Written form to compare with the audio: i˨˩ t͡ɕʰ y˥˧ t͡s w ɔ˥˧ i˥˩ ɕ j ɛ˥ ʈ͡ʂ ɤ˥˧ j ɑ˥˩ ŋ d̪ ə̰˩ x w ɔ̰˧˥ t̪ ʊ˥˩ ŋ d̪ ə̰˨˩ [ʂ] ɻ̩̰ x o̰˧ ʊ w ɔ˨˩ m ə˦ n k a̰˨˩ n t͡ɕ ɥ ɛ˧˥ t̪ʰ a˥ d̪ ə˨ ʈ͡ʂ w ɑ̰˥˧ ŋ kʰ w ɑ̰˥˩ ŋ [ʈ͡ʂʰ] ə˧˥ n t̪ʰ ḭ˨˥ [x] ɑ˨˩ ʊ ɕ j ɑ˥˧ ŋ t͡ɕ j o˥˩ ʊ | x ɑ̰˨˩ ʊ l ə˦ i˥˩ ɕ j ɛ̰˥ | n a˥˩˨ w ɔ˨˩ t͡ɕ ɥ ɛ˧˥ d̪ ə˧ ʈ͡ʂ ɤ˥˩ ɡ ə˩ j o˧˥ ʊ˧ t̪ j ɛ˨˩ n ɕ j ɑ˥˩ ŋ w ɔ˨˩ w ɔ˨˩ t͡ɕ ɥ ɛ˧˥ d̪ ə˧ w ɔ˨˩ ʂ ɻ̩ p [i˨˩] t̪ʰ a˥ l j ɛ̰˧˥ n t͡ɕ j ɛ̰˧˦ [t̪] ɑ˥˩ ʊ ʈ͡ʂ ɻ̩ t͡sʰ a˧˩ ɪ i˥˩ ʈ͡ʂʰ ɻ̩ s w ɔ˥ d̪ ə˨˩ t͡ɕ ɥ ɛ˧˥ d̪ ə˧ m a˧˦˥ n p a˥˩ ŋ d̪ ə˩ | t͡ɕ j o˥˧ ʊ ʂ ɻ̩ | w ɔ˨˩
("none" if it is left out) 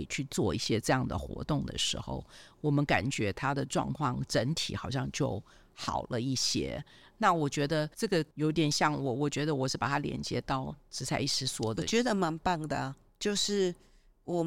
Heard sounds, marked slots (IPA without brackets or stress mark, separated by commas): ʂ, ʈ͡ʂ, x, a˨˩, t̪